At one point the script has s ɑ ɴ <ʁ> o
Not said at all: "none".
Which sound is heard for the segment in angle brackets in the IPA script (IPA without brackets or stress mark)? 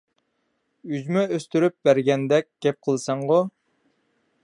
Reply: ʁ